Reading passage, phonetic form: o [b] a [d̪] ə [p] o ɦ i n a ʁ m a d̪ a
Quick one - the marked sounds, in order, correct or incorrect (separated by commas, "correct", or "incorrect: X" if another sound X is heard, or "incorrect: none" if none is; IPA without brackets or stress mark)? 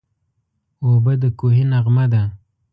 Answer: correct, correct, incorrect: k